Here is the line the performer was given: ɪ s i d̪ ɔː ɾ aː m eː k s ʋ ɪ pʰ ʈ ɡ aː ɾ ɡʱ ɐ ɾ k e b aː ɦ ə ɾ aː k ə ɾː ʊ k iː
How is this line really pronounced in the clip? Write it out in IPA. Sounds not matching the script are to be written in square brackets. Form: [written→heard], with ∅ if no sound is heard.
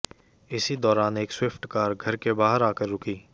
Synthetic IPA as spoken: ɪ s i d̪ ɔː ɾ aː [m→n] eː k s [ʋ→w] ɪ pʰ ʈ [ɡ→k] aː ɾ ɡʱ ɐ ɾ k e b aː ɦ ə ɾ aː k ə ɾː ʊ k iː

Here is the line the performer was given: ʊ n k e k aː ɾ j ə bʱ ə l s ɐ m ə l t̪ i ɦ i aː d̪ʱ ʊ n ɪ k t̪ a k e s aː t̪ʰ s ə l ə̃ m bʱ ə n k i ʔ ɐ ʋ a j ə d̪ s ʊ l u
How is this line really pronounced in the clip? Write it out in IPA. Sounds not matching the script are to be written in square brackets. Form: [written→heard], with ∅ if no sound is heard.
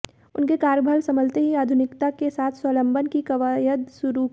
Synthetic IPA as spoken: ʊ n k e k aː ɾ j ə bʱ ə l s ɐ m ə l t̪ [i→e] ɦ i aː d̪ʱ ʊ n ɪ k t̪ a k e s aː t̪ʰ s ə l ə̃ m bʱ ə n k i [ʔ→k] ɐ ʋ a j ə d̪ s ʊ [l→ɾ] u

